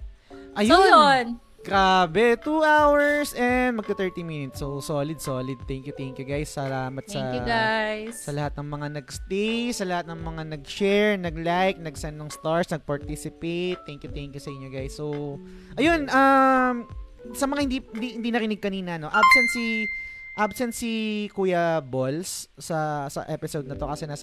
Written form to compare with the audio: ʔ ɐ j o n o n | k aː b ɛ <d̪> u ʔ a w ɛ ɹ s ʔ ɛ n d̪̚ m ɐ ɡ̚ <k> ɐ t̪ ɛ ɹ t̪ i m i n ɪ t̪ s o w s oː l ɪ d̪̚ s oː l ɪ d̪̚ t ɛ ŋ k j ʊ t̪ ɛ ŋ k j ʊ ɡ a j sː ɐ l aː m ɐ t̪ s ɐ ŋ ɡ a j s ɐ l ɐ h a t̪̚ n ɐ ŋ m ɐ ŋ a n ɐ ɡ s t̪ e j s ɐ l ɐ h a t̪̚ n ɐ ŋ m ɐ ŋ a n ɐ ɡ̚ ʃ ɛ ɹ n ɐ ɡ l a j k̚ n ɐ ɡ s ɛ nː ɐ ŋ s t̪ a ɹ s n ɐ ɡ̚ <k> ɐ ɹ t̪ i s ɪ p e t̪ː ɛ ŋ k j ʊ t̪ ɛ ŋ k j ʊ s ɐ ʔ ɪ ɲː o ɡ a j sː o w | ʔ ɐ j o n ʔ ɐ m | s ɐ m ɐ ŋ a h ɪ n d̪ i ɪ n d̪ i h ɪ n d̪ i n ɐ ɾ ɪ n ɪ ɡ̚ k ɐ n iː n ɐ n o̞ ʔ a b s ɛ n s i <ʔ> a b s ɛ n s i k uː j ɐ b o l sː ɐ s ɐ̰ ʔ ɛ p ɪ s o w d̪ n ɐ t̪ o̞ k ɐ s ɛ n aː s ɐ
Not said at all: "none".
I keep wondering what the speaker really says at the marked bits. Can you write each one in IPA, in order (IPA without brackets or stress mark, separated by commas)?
t̪, k, p, ʔ